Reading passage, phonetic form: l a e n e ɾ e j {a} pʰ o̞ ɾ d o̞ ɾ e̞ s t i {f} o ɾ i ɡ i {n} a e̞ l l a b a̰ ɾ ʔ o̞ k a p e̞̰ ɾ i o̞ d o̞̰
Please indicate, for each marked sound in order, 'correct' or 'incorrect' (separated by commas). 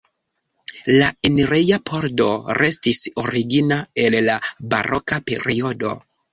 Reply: correct, incorrect, correct